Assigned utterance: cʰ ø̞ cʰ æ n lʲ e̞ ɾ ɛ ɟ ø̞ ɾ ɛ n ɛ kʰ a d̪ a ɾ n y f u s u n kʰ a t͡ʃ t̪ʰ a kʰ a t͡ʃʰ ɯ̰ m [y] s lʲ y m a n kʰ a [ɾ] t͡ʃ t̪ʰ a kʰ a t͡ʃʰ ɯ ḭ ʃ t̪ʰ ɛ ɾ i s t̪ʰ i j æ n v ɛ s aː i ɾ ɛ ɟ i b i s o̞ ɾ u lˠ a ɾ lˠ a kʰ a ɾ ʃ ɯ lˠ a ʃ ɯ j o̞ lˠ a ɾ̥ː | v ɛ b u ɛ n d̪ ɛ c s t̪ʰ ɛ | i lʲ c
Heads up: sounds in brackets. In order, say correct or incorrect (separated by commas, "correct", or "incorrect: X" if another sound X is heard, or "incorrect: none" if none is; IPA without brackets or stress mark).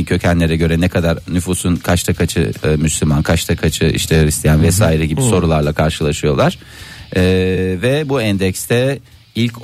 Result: correct, incorrect: none